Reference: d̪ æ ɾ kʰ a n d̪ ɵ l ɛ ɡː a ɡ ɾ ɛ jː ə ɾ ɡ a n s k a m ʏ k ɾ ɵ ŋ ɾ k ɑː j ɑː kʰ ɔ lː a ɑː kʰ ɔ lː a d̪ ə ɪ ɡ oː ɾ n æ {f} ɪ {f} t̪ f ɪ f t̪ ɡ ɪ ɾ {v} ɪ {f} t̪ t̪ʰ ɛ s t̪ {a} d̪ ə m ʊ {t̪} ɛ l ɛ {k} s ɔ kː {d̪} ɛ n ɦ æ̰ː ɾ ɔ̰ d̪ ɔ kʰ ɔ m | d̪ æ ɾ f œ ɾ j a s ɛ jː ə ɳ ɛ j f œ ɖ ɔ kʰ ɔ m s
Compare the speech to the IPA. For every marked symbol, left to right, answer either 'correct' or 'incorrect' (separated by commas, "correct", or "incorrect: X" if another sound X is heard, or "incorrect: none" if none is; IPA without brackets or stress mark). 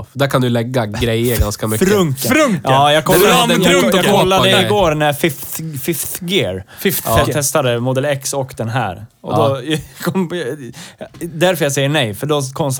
correct, correct, incorrect: f, correct, correct, incorrect: d̪, correct, correct